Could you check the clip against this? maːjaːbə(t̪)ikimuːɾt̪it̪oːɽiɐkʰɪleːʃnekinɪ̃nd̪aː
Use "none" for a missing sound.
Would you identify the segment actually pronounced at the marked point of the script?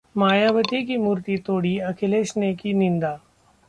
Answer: t̪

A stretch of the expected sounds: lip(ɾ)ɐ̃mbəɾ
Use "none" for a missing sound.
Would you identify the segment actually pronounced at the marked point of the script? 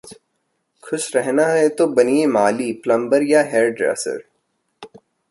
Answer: l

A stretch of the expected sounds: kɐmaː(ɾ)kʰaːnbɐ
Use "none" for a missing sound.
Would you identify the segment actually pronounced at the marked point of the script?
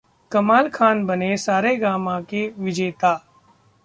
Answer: l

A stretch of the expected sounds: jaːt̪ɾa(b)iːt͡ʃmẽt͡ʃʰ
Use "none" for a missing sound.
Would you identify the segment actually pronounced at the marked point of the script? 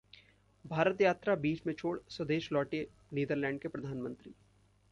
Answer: b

